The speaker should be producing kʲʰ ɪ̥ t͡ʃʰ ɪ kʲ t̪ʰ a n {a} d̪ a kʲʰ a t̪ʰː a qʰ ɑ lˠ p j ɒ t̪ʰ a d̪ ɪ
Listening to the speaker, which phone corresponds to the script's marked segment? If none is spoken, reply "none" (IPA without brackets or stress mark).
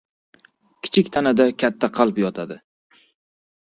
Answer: a